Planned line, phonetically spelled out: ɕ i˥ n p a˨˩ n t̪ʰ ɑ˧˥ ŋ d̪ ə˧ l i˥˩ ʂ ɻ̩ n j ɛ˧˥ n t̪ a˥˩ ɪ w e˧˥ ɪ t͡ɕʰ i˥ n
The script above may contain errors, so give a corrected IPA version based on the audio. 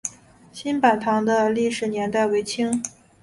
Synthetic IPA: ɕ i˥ n p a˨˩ n t̪ʰ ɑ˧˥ ŋ d̪ ə˧ l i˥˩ ʂ ɻ̩ n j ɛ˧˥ n t̪ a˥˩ ɪ w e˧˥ ɪ t͡ɕʰ i˥ ŋ